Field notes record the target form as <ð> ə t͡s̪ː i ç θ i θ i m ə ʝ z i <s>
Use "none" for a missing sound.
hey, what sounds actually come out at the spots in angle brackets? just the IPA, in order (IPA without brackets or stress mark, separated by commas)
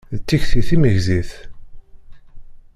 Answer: ð, θ